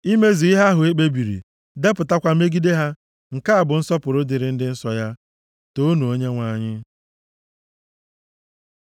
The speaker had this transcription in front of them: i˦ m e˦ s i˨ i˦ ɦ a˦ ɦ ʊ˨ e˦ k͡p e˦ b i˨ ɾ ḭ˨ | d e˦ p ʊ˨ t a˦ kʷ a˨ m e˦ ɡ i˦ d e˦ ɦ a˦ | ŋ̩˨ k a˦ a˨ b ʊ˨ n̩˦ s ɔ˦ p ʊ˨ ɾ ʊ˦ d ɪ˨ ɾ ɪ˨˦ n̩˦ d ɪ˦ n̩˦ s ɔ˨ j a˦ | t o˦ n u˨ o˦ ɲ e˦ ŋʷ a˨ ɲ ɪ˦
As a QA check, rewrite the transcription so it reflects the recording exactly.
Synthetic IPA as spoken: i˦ m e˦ z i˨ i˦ ɦ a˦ ɦ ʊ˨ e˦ k͡p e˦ b i˨ ɾ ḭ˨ | d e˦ p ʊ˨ t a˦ kʷ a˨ m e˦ ɡ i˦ d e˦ ɦ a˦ | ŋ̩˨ k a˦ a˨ b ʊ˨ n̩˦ s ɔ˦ p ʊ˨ ɾ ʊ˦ d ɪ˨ ɾ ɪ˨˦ n̩˦ d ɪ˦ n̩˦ s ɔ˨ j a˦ | t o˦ n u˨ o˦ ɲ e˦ ŋʷ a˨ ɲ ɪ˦